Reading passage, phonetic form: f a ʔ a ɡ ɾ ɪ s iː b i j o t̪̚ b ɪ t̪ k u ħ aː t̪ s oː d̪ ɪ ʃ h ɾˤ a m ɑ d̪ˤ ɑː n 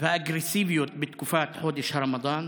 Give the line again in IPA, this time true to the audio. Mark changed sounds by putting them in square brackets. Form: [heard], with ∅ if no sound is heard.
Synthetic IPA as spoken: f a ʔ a ɡ ɾ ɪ s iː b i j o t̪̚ b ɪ t̪ k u [f] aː t̪ [ħ] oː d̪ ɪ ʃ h ɾˤ [ɑ] m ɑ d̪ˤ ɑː n